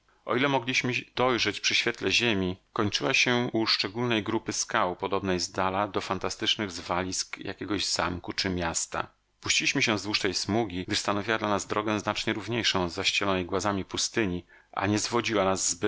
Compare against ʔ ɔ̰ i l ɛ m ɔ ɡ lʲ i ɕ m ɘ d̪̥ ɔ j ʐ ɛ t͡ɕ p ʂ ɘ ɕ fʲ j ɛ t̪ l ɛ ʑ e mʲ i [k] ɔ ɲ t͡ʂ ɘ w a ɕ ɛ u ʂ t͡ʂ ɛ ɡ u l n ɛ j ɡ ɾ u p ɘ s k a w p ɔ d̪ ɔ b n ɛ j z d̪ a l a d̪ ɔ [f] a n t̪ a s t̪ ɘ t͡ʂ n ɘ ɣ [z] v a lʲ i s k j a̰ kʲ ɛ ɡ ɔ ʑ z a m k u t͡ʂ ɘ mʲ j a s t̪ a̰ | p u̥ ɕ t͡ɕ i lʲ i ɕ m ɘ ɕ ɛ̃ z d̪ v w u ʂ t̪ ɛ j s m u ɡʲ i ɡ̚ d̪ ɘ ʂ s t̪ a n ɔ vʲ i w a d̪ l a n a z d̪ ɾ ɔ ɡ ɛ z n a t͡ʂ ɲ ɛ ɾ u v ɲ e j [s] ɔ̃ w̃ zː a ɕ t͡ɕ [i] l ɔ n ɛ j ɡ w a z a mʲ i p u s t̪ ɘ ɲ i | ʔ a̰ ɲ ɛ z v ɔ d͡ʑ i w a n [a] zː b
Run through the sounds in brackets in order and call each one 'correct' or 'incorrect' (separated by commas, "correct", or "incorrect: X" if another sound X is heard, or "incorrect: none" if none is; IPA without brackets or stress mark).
correct, correct, correct, incorrect: ʂ, incorrect: ɛ, correct